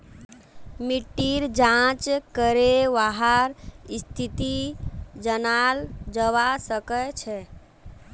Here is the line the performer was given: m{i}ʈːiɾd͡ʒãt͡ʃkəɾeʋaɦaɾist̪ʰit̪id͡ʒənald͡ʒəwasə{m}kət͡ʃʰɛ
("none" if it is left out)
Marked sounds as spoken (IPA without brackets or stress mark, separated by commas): i, none